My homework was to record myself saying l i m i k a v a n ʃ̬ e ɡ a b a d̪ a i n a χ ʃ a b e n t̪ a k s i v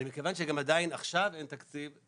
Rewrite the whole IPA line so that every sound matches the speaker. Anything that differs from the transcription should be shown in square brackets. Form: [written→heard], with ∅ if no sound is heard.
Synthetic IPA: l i m i k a v a n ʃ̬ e ɡ a [b→m] a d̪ a i n a χ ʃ a [b→v] e n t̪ a k [s→t͡s] i v

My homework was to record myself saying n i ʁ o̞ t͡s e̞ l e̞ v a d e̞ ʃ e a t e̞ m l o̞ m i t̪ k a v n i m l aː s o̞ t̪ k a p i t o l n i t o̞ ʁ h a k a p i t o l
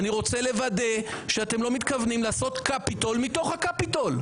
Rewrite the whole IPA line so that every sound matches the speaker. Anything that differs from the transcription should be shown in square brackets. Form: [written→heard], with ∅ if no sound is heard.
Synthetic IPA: n i ʁ o̞ t͡s e̞ l e̞ v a d e̞ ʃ e a t e̞ m l o̞ m i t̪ k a v n i m l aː s o̞ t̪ k a p i t o l [n→m] i t o̞ [ʁ→χ] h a k a p i t o l

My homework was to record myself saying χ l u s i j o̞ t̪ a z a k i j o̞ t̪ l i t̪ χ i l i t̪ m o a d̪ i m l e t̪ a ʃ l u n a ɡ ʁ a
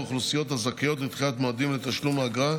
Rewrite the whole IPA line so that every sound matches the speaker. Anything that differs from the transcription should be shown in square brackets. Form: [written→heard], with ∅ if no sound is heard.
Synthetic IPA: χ l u s i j o̞ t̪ a z a k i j o̞ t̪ l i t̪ χ i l [i→a] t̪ m o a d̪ i m l e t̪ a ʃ l u [n→m] a ɡ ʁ a

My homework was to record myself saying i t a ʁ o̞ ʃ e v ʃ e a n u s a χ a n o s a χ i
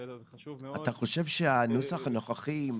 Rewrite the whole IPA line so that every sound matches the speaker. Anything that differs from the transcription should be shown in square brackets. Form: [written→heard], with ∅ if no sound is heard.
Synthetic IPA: [i→a] t a [ʁ→χ] o̞ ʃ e v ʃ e a n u s a χ a n o [s→χ] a χ i

